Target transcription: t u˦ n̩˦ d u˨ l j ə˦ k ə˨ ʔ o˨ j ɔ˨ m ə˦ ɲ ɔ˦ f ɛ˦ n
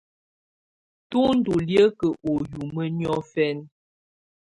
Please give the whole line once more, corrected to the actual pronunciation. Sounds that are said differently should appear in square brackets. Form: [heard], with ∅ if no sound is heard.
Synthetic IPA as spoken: t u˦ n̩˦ d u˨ l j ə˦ k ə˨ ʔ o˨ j [u˨] m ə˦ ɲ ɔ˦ f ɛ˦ n